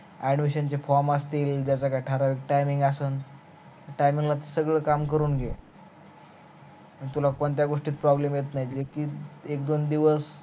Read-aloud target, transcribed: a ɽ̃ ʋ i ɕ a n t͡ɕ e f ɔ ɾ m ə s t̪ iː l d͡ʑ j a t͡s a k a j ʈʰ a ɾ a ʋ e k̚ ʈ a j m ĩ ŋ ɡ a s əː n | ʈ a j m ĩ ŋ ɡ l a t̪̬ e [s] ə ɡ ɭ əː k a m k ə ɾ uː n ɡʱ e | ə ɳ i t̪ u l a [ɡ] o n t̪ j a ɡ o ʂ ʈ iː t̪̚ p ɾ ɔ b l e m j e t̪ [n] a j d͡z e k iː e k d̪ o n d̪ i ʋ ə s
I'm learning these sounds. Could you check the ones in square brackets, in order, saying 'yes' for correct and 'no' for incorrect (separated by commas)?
yes, no, yes